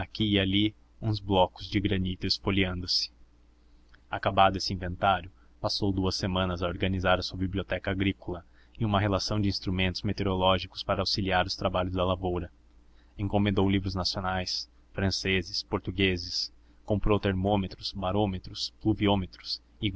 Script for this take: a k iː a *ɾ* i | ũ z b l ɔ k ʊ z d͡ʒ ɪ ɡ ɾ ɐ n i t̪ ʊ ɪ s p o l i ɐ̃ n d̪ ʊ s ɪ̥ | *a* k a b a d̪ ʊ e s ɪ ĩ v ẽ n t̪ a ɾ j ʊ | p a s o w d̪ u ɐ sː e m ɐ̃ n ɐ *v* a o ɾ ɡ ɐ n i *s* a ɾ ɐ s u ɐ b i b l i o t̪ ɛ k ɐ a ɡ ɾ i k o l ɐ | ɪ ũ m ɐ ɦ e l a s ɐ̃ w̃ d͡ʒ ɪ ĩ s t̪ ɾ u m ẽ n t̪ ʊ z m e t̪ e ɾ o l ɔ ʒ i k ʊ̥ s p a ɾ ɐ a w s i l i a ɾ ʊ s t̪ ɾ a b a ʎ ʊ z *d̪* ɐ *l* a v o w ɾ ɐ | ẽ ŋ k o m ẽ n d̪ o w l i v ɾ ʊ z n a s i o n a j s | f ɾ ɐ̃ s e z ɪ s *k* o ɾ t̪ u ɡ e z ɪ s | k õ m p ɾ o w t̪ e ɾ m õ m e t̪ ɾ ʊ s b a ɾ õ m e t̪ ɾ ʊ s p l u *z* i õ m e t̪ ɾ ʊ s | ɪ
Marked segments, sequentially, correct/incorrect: incorrect, correct, incorrect, incorrect, correct, correct, incorrect, incorrect

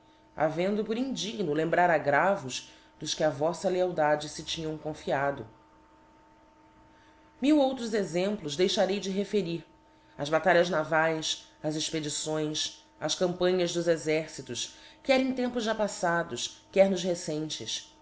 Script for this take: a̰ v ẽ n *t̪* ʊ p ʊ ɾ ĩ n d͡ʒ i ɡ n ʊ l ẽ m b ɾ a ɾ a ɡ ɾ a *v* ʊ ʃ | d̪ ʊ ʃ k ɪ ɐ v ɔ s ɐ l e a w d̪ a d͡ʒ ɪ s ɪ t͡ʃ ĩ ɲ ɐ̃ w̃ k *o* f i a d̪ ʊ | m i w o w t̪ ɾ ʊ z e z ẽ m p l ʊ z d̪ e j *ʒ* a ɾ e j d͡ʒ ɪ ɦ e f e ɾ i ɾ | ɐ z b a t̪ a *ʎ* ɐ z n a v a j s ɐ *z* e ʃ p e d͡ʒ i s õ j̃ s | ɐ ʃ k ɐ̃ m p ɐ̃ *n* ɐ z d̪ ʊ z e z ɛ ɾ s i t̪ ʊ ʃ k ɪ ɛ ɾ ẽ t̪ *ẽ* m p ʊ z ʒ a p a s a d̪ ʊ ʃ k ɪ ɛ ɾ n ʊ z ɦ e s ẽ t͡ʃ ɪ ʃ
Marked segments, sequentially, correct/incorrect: incorrect, correct, incorrect, incorrect, correct, correct, incorrect, correct

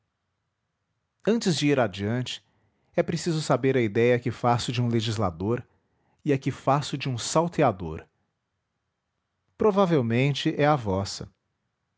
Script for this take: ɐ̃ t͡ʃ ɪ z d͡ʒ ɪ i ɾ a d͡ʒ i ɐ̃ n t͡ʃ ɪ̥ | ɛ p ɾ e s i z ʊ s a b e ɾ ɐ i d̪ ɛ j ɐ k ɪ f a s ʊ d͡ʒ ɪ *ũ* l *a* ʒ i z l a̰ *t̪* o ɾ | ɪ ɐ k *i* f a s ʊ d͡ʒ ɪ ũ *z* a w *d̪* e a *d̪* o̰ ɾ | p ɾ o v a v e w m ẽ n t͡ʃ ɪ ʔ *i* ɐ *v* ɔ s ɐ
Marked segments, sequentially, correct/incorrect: correct, incorrect, incorrect, incorrect, incorrect, incorrect, correct, incorrect, correct

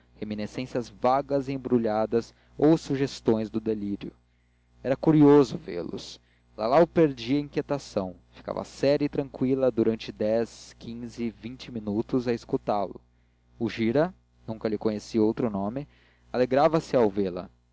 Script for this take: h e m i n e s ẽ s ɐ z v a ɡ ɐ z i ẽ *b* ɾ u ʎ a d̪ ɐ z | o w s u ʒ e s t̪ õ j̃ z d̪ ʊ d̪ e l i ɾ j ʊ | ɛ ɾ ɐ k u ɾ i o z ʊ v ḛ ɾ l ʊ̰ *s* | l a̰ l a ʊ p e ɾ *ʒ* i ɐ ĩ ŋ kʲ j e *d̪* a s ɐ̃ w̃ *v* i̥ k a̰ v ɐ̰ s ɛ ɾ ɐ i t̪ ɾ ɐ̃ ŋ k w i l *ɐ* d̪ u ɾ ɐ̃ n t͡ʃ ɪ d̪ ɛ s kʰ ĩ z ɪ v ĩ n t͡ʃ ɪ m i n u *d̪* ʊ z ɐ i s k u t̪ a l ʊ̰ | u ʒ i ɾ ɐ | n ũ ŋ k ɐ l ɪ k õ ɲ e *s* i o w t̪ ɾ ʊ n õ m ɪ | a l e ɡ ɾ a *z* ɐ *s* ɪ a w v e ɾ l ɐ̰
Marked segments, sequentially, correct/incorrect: correct, correct, incorrect, incorrect, incorrect, correct, incorrect, correct, incorrect, correct

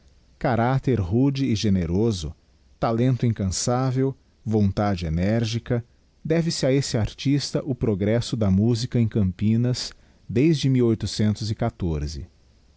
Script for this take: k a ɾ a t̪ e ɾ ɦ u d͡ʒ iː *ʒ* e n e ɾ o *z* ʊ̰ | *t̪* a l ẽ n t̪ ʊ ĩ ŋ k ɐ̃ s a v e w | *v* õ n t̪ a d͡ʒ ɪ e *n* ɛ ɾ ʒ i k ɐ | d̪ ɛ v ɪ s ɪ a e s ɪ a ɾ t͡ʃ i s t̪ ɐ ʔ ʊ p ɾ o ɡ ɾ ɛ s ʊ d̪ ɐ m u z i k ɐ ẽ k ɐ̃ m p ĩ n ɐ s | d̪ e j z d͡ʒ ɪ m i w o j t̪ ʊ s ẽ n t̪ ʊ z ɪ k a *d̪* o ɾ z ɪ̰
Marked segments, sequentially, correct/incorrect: correct, correct, correct, correct, correct, incorrect

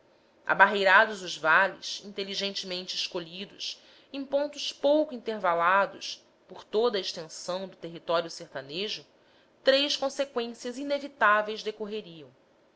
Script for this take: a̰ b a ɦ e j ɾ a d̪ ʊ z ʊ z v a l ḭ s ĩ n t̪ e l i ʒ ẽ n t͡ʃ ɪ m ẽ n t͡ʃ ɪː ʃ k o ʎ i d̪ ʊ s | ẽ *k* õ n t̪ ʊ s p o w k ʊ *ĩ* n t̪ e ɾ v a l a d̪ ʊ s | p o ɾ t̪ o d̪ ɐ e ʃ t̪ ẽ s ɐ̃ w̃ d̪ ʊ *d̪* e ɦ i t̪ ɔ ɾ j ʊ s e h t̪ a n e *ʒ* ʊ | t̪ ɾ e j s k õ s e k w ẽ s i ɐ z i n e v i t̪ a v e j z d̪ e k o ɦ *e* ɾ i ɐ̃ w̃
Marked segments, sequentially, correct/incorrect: incorrect, correct, incorrect, correct, correct

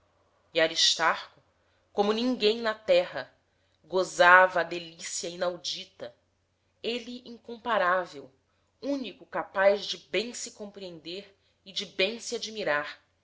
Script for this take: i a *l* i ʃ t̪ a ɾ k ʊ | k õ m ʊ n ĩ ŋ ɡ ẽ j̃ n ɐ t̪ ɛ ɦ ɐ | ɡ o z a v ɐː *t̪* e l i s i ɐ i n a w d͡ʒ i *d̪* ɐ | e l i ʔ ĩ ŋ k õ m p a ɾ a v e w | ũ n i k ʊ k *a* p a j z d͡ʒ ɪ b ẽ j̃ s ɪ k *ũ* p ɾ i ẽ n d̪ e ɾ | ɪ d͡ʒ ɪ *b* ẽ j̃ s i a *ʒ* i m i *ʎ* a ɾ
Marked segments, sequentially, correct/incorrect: incorrect, incorrect, incorrect, correct, incorrect, correct, incorrect, incorrect

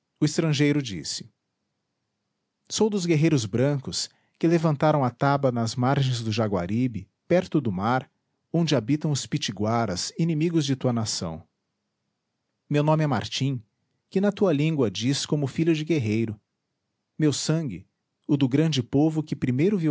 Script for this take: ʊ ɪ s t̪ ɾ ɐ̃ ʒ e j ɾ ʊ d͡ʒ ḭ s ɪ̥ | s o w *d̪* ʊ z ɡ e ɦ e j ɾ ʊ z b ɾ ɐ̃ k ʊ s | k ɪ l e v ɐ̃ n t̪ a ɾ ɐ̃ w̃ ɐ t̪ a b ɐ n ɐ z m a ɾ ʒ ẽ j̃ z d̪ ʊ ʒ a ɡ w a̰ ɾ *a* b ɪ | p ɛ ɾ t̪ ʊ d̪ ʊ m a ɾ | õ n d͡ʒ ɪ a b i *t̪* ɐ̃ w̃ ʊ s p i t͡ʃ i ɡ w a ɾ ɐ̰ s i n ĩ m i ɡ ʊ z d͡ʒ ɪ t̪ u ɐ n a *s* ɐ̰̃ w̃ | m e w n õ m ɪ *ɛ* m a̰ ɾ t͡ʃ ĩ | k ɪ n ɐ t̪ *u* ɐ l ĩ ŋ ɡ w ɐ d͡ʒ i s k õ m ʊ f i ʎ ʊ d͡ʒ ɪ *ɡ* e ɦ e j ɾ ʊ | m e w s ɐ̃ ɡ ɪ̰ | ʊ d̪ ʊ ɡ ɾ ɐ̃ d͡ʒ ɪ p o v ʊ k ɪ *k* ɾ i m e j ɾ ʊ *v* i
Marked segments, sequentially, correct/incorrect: correct, incorrect, correct, correct, correct, correct, correct, incorrect, correct

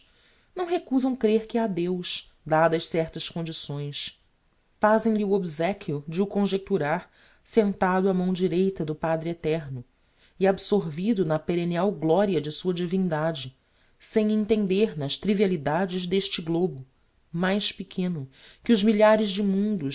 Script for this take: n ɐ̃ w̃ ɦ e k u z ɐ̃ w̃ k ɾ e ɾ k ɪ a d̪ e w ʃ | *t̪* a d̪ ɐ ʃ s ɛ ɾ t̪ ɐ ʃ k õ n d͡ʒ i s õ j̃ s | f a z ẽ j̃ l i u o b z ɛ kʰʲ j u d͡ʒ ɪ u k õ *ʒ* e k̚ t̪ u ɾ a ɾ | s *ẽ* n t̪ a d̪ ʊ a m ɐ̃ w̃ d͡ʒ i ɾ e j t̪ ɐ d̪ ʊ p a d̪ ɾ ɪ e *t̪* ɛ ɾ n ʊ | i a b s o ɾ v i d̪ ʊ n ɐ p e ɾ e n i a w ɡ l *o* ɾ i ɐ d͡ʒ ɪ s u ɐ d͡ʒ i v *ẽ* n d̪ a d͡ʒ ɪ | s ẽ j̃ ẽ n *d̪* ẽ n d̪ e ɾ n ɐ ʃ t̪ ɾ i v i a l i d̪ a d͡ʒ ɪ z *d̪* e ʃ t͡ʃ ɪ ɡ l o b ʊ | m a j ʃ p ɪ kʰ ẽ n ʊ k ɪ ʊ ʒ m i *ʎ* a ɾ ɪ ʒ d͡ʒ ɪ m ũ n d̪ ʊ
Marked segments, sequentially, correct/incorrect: incorrect, correct, correct, correct, incorrect, incorrect, incorrect, correct, correct

